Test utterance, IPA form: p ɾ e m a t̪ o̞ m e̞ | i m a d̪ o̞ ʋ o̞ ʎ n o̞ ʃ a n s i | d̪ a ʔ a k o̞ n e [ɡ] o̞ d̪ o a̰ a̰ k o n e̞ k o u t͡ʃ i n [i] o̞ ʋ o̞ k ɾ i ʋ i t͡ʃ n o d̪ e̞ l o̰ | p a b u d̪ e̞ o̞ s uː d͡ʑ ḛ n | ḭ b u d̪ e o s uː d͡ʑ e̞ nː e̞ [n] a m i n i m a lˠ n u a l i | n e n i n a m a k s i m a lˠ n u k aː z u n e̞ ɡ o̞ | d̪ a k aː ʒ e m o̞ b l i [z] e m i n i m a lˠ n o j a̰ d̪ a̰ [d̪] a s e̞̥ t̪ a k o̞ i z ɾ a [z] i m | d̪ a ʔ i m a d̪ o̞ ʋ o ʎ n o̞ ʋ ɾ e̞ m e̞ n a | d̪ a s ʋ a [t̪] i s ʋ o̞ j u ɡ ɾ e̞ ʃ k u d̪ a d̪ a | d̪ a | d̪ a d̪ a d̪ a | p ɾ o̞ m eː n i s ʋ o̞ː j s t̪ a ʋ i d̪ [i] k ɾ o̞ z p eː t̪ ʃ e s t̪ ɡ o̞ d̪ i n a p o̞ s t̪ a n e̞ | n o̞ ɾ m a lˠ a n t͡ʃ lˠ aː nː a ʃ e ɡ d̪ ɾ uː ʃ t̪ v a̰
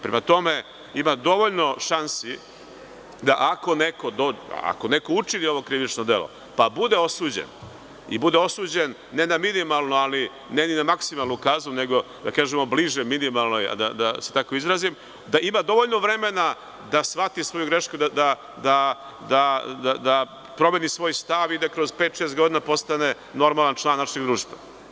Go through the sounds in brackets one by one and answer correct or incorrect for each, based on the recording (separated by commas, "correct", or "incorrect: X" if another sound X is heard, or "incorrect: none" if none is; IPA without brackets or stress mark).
incorrect: k, correct, correct, incorrect: ʒ, correct, correct, correct, incorrect: a